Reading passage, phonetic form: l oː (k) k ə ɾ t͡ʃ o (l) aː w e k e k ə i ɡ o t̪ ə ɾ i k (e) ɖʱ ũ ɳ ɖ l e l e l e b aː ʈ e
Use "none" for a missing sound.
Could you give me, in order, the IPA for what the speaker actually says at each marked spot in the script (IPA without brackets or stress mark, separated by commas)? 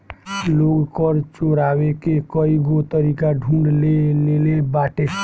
ɡ, ɾ, a